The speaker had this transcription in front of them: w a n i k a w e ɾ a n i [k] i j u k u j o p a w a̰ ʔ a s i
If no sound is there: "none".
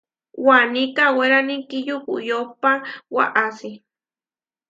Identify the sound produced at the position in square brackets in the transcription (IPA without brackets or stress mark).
k